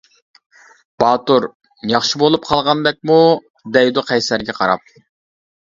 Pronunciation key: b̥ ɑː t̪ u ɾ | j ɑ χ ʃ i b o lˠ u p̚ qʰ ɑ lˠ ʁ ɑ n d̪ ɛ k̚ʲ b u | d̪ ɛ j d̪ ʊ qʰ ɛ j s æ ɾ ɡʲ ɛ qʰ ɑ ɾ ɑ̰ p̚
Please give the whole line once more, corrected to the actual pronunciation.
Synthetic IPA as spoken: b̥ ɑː t̪ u ɾ | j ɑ χ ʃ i b o lˠ u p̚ qʰ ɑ lˠ ʁ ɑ n d̪ ɛ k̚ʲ m u | d̪ ɛ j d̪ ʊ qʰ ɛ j s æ ɾ ɡʲ ɛ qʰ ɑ ɾ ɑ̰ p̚